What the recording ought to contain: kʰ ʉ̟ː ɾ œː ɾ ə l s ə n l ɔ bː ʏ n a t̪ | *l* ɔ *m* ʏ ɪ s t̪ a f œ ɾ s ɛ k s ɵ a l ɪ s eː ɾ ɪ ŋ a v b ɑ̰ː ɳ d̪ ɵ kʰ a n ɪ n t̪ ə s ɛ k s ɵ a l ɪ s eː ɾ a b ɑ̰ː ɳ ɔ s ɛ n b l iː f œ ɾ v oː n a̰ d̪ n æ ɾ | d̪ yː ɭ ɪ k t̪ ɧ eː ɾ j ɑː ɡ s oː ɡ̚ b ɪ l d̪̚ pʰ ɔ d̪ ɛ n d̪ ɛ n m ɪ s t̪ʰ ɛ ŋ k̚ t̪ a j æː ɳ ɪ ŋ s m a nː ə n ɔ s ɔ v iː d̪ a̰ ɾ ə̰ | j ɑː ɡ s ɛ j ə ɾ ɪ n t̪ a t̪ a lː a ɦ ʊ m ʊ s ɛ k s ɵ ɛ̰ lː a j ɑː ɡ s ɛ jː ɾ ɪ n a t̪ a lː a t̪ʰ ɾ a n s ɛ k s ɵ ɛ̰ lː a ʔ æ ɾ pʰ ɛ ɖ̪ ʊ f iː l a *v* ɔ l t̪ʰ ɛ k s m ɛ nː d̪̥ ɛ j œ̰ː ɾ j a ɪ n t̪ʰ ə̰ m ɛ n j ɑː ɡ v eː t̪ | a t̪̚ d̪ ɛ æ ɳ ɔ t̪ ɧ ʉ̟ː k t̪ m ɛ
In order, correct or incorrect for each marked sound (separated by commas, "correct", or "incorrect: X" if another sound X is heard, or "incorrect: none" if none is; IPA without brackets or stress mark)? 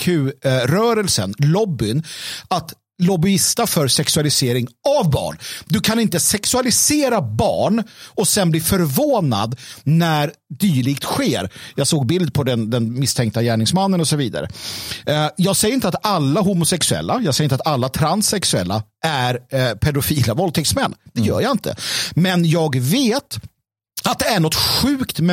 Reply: correct, incorrect: b, correct